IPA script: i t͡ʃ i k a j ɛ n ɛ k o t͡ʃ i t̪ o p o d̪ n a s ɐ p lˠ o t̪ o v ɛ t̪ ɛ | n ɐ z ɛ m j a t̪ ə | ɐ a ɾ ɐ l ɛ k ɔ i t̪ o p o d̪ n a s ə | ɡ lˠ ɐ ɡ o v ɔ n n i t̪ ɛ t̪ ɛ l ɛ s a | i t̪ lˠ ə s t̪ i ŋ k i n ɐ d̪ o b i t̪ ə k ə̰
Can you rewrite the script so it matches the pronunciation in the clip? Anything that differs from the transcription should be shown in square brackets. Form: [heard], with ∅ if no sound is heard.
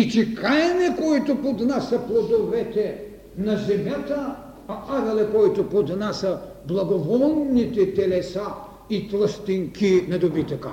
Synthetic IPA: i t͡ʃ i k a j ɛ n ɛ k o [∅] i t̪ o p o d̪ n a s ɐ p lˠ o [d̪] o v ɛ t̪ ɛ | n ɐ z ɛ m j a t̪ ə | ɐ a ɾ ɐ l ɛ k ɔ i t̪ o p o d̪ n a s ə | [b] lˠ ɐ ɡ o v ɔ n n i t̪ ɛ t̪ ɛ l ɛ s a | i t̪ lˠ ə s t̪ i ŋ k i n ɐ d̪ o b i t̪ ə k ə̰